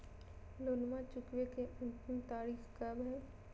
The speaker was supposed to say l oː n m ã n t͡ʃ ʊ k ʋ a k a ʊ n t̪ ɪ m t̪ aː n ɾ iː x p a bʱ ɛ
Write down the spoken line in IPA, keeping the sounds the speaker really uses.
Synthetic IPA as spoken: l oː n m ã t͡ʃ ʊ k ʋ e k e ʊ n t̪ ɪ m t̪ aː ɾ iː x k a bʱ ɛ

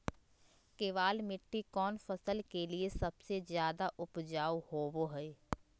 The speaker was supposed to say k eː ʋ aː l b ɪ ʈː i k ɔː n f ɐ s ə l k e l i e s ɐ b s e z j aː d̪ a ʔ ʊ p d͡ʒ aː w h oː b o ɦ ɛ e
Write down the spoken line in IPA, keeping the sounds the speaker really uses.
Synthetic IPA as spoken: k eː ʋ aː l m ɪ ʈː i k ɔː n f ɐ s ə l k e l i e s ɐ b s e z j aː d̪ a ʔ ʊ p d͡ʒ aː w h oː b o ɦ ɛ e

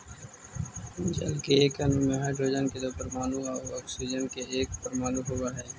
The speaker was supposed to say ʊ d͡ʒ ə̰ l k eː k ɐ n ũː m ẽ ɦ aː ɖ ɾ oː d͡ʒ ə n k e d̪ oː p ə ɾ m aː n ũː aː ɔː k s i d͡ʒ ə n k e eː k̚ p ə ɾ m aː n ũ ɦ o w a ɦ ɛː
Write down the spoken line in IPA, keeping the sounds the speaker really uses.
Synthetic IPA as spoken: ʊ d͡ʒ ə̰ l k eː k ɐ n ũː m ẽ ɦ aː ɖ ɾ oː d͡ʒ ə n k e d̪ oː p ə ɾ m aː n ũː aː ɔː k s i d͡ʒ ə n k e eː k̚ p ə ɾ m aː n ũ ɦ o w a ɦ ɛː

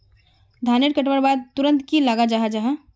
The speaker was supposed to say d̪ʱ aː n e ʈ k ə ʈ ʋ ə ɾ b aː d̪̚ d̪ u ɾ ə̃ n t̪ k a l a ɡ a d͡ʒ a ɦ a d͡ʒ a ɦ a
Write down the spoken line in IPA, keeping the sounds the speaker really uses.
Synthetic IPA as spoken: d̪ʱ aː n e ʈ k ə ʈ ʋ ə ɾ b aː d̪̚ t̪ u ɾ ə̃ n t̪ k i l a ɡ a d͡ʒ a ɦ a d͡ʒ a ɦ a

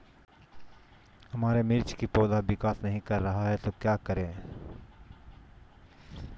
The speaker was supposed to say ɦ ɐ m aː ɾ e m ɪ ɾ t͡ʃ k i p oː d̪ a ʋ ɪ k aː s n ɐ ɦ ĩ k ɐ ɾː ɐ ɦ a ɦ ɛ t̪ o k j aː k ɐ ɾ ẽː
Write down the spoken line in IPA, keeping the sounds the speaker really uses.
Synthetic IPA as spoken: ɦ ɐ m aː ɾ e m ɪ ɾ t͡ʃ k i p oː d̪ a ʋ ɪ k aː s n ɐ ɦ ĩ k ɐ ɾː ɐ ɦ a ɦ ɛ t̪ o k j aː k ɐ ɾ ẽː

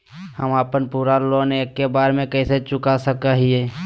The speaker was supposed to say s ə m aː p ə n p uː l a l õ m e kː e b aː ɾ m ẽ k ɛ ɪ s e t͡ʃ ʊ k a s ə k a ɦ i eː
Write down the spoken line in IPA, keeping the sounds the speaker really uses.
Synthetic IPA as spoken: h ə m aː p ə n p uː ɾ a l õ n e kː e b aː ɾ m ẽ k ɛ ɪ s e t͡ʃ ʊ k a s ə k a ɦ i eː

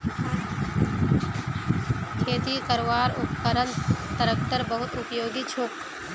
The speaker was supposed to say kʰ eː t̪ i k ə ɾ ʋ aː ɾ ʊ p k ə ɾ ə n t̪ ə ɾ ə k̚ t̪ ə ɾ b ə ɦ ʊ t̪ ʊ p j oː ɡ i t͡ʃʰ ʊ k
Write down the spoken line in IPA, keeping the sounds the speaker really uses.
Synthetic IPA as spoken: kʰ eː t̪ i k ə ɾ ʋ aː ɾ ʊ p k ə ɾ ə n t̪ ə ɾ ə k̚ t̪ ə ɾ b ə ɦ ʊ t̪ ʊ p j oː ɡ i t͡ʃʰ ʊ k

